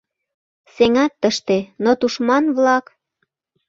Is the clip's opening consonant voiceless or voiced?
voiceless